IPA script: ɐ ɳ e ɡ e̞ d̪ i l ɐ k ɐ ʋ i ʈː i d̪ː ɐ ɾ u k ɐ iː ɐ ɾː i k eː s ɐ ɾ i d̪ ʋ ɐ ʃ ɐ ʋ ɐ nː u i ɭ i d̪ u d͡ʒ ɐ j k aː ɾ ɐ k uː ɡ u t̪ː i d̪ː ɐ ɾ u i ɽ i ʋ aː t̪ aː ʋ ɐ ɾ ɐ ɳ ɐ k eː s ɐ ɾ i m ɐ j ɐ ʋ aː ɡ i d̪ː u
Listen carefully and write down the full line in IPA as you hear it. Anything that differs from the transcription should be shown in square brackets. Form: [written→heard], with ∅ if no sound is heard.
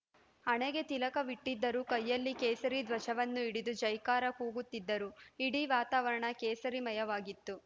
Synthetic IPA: ɐ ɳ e ɡ e̞ [d̪→t̪] i l ɐ k ɐ ʋ i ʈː i d̪ː ɐ ɾ u k ɐ [iː→jː] ɐ [ɾː→lː] i k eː s ɐ ɾ i d̪ ʋ ɐ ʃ ɐ ʋ ɐ nː u i [ɭ→ɽ] i d̪ u d͡ʒ ɐ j k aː ɾ ɐ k uː ɡ u t̪ː i d̪ː ɐ ɾ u i ɽ i ʋ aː t̪ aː ʋ ɐ ɾ ɐ ɳ ɐ k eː s ɐ ɾ i m ɐ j ɐ ʋ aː ɡ i [d̪ː→t̪ː] u

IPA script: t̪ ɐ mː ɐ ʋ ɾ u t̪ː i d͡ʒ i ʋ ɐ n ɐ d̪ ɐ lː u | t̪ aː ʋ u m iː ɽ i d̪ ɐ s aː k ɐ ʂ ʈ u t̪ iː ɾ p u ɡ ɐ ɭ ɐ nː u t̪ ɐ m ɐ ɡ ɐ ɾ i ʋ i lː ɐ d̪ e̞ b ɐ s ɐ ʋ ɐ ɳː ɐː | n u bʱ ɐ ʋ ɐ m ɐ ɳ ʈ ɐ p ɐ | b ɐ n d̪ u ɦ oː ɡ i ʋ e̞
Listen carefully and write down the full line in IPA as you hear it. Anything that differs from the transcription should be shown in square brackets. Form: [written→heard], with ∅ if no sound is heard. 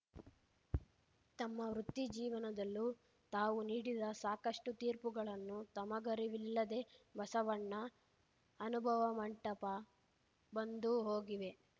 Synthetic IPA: t̪ ɐ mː ɐ ʋ ɾ u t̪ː i d͡ʒ [i→iː] ʋ ɐ n ɐ d̪ ɐ lː u | t̪ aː ʋ u [m→n] iː ɽ i d̪ ɐ s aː k ɐ ʂ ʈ u t̪ iː ɾ p u ɡ ɐ ɭ ɐ nː u t̪ ɐ m ɐ ɡ ɐ ɾ i ʋ i lː ɐ d̪ e̞ b ɐ s ɐ ʋ ɐ ɳː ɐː | n u bʱ ɐ ʋ ɐ m ɐ ɳ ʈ ɐ p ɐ | b ɐ n d̪ u ɦ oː ɡ i ʋ e̞

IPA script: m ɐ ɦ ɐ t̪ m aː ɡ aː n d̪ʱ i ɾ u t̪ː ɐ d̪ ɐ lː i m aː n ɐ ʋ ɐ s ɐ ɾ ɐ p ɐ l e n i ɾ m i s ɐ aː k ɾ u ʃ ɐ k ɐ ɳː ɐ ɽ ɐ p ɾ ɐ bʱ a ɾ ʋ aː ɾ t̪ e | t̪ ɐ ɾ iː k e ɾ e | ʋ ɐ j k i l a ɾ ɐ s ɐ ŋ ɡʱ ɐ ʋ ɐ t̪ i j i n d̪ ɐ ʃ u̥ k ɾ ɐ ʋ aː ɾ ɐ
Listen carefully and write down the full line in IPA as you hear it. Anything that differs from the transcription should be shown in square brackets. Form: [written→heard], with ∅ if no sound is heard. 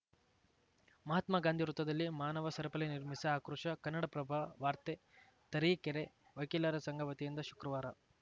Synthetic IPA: m ɐ ɦ ɐ t̪ m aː ɡ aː n d̪ʱ i ɾ u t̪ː ɐ d̪ ɐ lː i m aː n ɐ ʋ ɐ s ɐ ɾ ɐ p ɐ l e n i ɾ m i s ɐ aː k ɾ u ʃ ɐ k ɐ [ɳː→nː] ɐ ɽ ɐ p ɾ ɐ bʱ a [ɾ→∅] ʋ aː ɾ t̪ e | t̪ ɐ ɾ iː k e ɾ e | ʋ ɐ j k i l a ɾ ɐ s ɐ ŋ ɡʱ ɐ ʋ ɐ t̪ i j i n d̪ ɐ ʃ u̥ k ɾ ɐ ʋ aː ɾ ɐ

